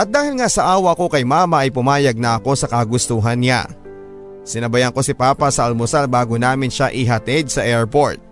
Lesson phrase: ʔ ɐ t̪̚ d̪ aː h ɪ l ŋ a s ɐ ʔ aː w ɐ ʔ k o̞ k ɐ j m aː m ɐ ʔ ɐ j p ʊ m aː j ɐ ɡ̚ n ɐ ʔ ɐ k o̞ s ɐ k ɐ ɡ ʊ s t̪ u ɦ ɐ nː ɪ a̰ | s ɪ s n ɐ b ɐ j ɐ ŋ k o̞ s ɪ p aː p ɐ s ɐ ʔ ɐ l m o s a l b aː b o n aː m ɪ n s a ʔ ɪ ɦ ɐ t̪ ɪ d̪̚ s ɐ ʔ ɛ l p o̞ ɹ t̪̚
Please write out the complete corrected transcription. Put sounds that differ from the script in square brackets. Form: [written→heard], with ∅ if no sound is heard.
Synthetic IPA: ʔ ɐ t̪̚ d̪ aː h ɪ l ŋ a s ɐ ʔ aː w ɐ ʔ k o̞ k ɐ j m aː m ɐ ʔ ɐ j p ʊ m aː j ɐ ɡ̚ n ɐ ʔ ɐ k o̞ s ɐ k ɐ ɡ ʊ s t̪ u ɦ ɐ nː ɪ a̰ | s ɪ [s→∅] n ɐ b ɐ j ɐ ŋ k o̞ s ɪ p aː p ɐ s ɐ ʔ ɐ l m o s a l b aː [b→ɡ] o n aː m ɪ n [s→ʃ] a ʔ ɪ ɦ ɐ t̪ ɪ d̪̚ s ɐ ʔ ɛ [l→ɹ] p o̞ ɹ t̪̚